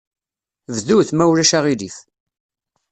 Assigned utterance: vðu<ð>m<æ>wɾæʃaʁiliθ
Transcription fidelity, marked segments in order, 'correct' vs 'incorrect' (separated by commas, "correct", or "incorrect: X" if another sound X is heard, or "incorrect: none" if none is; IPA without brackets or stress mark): incorrect: θ, correct